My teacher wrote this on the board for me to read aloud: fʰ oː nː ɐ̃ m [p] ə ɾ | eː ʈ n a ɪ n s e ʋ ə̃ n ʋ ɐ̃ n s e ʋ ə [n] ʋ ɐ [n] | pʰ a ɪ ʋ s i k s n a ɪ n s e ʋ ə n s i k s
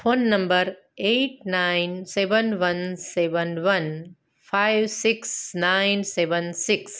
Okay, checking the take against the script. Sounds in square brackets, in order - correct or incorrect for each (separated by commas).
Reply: incorrect, correct, correct